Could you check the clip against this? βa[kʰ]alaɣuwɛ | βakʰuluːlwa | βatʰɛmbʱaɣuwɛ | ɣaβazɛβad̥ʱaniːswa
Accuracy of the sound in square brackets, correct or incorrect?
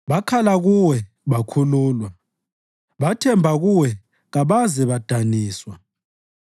correct